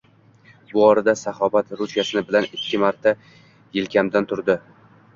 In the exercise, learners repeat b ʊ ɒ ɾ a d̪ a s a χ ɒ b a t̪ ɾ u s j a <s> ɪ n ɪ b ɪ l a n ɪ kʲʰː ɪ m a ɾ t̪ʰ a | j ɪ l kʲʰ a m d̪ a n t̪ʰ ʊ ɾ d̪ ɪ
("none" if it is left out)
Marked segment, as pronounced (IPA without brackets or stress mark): s